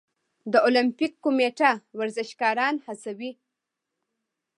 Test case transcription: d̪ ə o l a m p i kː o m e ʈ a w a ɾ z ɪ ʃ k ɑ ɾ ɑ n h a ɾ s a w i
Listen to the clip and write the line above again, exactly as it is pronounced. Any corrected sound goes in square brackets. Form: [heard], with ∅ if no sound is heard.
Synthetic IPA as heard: d̪ ə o l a m p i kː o m e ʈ a w a ɾ z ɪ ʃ k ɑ ɾ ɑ n h a [∅] s a w i